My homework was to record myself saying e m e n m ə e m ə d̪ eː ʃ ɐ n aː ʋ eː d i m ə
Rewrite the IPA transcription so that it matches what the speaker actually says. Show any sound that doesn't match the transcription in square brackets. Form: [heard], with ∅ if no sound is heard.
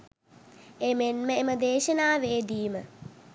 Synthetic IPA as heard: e m e n m ə e m ə d̪ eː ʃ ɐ n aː ʋ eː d [iː] m ə